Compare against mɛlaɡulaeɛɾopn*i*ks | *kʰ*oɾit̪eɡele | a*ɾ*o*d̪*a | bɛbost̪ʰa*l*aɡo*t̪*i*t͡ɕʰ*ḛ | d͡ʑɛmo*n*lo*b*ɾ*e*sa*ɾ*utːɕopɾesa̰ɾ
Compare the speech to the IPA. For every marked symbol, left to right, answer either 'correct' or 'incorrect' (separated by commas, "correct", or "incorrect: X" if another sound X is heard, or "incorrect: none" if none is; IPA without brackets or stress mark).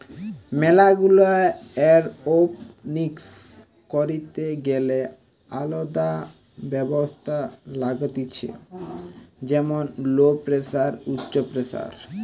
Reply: correct, incorrect: k, incorrect: l, correct, correct, correct, correct, correct, incorrect: p, correct, correct